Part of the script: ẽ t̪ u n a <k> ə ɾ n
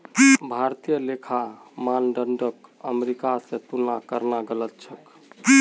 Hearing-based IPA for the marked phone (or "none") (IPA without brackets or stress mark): k